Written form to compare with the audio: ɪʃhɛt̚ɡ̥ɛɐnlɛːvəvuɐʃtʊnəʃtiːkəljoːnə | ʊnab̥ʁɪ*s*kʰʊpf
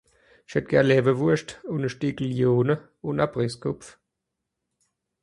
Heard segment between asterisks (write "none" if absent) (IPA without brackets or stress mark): s